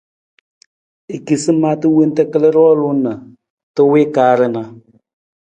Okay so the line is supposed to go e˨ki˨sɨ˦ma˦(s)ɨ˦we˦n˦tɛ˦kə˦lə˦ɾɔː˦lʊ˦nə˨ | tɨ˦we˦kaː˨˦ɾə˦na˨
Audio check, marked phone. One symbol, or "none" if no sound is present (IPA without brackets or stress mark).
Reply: t